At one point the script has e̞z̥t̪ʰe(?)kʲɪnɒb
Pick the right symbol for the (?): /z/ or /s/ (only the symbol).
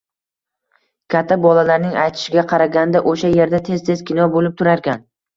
z